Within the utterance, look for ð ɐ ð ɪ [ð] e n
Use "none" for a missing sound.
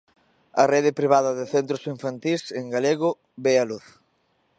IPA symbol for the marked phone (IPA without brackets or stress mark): θ